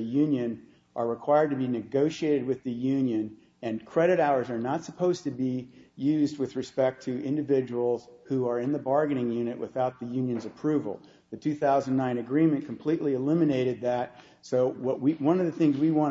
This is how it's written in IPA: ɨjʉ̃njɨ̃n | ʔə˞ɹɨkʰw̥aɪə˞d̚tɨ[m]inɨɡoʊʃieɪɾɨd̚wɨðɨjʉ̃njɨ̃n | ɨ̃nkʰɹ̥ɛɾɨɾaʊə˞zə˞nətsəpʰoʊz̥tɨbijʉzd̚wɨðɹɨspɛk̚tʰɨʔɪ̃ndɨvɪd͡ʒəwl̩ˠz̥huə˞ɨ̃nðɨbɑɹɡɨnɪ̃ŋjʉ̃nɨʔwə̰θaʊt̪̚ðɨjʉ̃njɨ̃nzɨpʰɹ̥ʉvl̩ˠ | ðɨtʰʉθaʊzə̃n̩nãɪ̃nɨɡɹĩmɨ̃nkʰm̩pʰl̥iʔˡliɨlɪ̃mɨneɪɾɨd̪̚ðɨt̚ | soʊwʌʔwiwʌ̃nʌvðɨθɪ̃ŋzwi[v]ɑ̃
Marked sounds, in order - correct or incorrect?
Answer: incorrect: b, incorrect: w

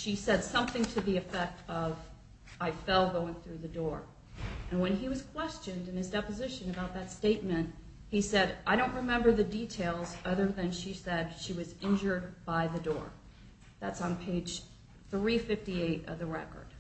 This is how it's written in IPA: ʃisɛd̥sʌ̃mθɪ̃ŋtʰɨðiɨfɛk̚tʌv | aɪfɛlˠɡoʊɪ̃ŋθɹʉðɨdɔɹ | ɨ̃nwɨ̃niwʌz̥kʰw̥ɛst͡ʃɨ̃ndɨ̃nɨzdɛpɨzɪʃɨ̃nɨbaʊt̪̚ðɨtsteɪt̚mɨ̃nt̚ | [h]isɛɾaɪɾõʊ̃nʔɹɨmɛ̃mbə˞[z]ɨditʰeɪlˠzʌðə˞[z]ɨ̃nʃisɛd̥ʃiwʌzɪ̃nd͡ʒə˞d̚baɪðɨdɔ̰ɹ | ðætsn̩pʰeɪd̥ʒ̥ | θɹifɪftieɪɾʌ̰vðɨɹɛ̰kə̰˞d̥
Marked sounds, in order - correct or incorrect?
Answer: correct, incorrect: ð, incorrect: ð

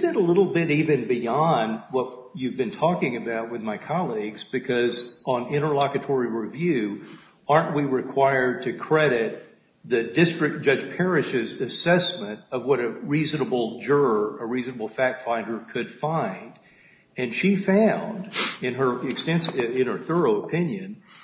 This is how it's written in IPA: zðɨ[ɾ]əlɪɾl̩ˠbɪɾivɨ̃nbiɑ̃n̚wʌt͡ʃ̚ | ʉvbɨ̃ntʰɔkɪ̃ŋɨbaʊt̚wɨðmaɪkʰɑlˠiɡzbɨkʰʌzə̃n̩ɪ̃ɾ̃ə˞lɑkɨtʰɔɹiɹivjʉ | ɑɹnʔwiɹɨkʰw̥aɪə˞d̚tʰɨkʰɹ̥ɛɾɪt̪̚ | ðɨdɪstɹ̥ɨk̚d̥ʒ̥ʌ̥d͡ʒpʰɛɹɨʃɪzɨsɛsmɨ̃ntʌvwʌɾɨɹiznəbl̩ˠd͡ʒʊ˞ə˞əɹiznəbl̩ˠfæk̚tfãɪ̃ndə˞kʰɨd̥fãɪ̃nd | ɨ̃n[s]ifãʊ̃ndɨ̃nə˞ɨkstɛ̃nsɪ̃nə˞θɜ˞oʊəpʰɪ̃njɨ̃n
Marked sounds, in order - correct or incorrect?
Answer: correct, incorrect: ʃ

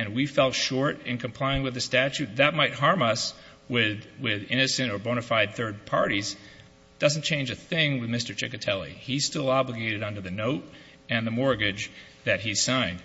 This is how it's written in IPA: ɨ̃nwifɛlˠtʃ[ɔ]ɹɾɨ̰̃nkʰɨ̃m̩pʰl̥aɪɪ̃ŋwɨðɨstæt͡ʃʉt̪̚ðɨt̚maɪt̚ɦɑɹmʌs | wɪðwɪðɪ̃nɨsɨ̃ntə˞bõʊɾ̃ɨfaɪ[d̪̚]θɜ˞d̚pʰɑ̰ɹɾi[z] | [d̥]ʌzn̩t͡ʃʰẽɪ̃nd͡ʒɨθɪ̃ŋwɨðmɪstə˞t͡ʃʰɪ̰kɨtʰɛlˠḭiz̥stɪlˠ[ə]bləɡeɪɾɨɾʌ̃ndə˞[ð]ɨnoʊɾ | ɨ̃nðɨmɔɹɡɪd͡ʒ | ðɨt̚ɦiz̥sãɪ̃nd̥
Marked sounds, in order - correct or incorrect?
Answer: correct, correct, correct, correct, incorrect: ɑ, correct

